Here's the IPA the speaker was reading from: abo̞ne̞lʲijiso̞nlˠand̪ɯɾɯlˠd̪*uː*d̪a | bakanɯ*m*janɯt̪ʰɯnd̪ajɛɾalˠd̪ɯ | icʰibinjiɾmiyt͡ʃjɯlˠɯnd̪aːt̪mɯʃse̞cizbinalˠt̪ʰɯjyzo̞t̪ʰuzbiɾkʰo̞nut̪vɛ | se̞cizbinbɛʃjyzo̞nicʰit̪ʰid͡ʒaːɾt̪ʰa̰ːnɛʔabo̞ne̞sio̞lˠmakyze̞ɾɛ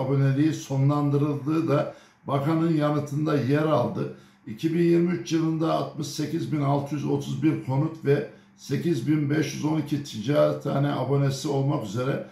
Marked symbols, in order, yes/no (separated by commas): no, no